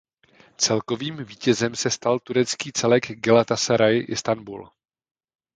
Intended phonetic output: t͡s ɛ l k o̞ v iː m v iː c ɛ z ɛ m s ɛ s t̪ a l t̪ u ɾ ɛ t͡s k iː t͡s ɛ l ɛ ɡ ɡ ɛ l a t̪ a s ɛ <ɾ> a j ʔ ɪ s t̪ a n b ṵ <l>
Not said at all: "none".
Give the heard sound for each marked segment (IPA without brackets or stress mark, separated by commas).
ɾ, l